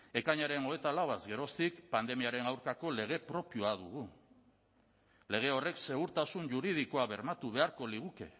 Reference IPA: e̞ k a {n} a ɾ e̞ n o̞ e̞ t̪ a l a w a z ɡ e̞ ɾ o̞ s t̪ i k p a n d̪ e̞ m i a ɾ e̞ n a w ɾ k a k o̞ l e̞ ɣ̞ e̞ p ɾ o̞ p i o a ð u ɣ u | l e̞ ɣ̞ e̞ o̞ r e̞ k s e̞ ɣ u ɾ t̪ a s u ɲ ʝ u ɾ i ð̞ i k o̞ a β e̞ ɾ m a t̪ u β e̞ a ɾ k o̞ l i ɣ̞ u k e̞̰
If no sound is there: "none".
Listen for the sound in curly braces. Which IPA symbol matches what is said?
ɲ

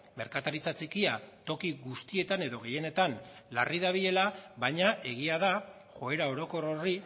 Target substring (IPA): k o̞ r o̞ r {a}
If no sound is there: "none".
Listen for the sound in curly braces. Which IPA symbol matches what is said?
i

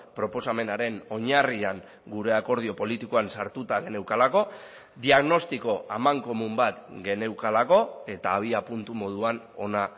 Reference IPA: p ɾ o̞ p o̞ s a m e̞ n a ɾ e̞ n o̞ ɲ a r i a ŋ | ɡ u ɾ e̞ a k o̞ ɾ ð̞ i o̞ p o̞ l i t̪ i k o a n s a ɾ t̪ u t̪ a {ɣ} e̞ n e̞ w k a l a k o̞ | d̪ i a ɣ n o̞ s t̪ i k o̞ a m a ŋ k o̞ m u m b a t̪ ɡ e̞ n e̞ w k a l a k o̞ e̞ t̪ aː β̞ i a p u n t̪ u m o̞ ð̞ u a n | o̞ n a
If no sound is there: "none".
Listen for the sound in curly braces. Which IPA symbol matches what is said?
ɣ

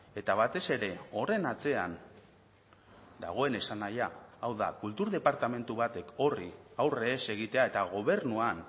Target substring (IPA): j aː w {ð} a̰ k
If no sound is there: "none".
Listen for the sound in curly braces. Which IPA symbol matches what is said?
ð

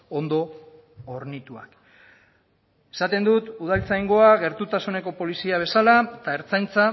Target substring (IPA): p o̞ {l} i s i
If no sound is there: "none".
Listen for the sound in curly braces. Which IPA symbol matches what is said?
l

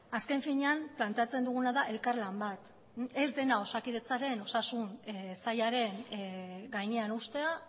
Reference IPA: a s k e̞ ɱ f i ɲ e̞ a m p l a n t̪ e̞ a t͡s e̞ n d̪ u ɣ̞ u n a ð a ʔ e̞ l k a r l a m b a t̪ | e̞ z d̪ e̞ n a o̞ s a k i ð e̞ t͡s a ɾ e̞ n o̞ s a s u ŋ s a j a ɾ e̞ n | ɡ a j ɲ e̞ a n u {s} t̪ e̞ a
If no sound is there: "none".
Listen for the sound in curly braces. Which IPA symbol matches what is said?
s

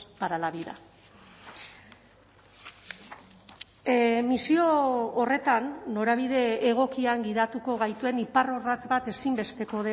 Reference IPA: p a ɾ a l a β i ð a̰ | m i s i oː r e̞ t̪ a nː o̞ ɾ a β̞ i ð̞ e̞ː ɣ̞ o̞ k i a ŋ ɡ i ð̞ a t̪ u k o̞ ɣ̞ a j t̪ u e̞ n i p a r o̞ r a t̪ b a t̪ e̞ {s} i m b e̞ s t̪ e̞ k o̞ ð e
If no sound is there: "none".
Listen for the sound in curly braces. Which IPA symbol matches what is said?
s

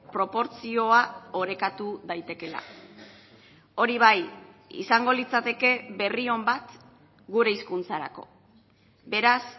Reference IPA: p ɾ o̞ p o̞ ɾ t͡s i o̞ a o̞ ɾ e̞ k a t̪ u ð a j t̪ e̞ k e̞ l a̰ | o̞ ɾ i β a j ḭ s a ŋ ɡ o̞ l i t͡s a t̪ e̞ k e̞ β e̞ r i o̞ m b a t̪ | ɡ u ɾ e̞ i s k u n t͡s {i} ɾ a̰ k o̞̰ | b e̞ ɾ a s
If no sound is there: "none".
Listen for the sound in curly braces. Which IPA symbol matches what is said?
a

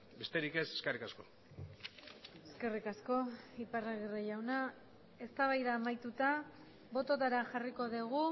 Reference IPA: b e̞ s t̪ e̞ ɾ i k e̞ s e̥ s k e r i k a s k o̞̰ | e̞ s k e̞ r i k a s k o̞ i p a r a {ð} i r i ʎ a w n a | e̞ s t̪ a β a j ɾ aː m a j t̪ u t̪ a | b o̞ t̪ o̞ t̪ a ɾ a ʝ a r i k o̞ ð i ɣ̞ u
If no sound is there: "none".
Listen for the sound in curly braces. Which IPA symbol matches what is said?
ɣ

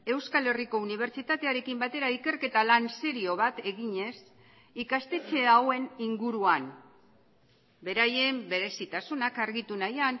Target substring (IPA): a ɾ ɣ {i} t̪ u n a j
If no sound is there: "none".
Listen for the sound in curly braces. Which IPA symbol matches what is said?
i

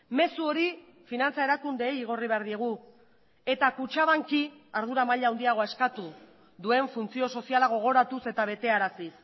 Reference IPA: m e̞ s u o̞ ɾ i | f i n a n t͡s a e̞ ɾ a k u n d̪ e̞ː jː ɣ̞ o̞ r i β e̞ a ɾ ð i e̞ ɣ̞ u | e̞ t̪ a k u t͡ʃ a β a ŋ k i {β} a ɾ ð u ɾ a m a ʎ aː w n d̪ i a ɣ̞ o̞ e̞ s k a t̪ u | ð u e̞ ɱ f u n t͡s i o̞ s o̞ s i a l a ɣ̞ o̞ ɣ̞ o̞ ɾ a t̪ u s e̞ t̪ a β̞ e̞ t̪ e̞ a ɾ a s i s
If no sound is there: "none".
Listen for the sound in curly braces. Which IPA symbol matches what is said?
none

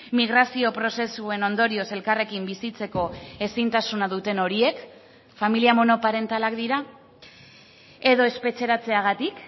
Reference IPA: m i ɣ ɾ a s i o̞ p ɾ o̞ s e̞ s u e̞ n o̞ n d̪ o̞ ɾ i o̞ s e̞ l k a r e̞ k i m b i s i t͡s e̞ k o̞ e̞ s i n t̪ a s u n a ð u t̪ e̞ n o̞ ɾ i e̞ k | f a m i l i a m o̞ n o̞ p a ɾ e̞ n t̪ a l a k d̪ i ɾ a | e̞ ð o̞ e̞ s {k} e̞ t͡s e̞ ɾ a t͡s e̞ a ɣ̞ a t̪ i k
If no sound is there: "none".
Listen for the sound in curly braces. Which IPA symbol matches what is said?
p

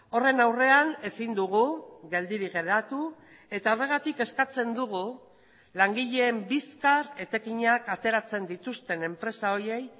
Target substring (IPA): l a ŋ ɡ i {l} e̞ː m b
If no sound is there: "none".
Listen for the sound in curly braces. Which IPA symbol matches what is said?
ʎ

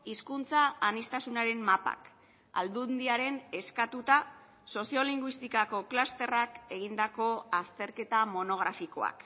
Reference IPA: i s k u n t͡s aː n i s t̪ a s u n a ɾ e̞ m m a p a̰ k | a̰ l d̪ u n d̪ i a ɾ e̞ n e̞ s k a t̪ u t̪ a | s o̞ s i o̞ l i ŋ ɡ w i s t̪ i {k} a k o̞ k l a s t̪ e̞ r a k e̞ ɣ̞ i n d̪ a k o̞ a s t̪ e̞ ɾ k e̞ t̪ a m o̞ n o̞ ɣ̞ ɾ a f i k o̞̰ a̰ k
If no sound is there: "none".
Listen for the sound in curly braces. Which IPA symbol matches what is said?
k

